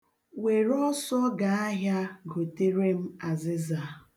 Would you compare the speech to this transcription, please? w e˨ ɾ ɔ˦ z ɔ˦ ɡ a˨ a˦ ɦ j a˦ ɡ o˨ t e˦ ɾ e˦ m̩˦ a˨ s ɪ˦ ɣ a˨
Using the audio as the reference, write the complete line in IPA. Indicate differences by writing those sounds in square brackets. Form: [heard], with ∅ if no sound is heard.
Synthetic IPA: w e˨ ɾ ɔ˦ [s] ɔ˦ ɡ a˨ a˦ ɦ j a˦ ɡ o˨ t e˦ ɾ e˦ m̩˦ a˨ [z] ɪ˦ [z] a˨